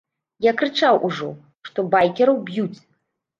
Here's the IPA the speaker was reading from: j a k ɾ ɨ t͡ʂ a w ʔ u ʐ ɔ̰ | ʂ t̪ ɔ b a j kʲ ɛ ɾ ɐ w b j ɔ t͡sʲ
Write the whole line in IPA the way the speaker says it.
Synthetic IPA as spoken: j a k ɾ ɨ t͡ʂ a w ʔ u ʐ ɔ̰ | ʂ t̪ ɔ b a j kʲ ɛ ɾ ɐ w b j u t͡sʲ